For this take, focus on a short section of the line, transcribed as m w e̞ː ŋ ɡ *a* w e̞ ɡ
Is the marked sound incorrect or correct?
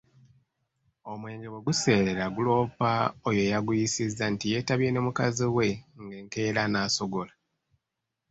incorrect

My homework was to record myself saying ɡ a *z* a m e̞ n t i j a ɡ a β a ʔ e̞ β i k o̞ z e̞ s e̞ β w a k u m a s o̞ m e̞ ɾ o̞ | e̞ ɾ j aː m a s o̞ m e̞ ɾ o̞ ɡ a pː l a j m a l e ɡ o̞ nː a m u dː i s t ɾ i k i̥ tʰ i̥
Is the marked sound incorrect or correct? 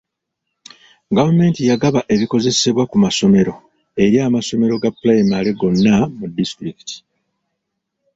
incorrect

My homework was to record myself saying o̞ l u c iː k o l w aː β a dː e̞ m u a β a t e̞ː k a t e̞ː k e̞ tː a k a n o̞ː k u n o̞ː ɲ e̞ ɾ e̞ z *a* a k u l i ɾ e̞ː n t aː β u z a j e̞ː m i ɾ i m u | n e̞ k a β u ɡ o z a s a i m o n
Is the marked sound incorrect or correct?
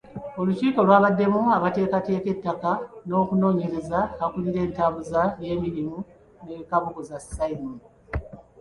correct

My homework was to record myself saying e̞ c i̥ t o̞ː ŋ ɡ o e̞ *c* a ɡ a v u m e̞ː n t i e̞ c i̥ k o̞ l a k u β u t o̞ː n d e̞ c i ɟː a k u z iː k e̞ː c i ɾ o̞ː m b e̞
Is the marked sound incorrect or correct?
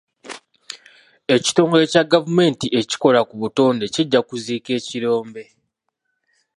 correct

